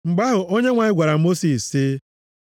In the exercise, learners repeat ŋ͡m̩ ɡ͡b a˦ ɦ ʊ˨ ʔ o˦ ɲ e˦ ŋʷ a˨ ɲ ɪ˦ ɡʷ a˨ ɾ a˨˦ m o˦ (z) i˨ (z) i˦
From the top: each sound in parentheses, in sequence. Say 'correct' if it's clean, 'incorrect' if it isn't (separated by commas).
incorrect, incorrect